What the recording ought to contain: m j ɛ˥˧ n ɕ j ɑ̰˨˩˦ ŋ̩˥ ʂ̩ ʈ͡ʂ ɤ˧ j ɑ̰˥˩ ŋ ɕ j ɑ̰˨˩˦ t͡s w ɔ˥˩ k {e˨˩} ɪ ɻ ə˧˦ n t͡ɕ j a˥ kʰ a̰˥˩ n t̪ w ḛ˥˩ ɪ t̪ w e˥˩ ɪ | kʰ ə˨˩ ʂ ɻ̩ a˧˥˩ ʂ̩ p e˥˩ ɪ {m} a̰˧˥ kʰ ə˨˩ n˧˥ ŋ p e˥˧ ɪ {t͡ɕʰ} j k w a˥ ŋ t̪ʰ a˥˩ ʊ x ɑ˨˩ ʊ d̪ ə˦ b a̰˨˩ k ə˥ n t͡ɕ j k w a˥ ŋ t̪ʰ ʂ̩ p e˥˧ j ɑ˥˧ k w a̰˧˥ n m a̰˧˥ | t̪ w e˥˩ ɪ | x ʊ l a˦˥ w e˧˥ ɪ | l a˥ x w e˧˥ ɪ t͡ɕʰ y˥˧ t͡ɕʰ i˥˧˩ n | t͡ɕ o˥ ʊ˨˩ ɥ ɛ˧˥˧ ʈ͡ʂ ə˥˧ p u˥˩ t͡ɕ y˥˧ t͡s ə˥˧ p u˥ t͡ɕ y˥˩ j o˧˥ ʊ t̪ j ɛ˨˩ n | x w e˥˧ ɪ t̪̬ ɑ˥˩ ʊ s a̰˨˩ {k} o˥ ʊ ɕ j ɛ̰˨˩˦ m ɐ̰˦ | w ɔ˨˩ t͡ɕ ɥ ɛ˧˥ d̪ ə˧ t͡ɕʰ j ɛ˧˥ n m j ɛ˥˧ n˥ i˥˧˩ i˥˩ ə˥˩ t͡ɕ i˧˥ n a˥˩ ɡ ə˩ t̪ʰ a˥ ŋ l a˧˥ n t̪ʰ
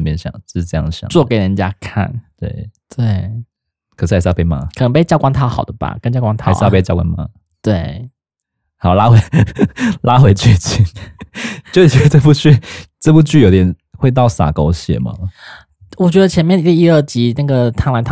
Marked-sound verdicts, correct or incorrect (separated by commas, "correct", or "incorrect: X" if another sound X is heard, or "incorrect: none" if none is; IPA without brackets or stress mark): correct, correct, incorrect: t͡ɕ, correct